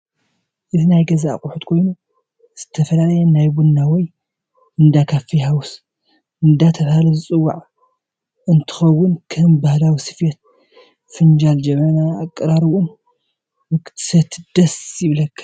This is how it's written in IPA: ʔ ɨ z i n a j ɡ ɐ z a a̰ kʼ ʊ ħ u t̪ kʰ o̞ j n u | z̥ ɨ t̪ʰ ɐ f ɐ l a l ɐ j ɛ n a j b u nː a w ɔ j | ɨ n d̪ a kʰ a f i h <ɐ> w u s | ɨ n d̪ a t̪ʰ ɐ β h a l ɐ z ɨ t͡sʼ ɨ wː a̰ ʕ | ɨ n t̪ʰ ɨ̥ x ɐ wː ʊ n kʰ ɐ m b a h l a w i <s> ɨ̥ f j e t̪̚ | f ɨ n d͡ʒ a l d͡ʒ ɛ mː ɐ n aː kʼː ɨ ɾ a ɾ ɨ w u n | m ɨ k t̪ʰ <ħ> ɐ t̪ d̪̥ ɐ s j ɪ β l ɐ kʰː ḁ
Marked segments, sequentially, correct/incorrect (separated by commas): incorrect, correct, incorrect